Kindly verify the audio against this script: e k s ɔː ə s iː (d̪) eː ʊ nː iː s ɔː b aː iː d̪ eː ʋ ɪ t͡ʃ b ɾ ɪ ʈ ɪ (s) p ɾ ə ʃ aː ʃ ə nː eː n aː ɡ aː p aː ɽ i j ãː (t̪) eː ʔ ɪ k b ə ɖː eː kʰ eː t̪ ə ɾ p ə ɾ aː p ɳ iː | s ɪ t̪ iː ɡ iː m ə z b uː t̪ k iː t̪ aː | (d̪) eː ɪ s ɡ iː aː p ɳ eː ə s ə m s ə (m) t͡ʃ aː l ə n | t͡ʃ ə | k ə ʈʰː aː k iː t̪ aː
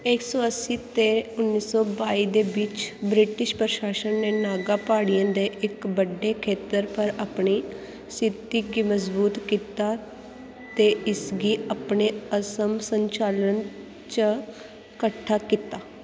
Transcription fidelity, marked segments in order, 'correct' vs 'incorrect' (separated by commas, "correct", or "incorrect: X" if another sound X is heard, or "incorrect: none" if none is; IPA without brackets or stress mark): incorrect: t̪, incorrect: ʃ, incorrect: d̪, incorrect: t̪, incorrect: ɲ